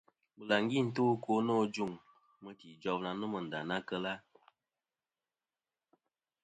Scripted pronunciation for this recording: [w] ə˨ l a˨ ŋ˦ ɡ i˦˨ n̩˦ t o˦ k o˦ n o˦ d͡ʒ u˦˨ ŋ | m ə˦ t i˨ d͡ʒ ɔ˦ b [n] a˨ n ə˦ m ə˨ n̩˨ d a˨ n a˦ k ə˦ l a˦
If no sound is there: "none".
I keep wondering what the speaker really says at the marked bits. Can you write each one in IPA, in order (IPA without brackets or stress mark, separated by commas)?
b, n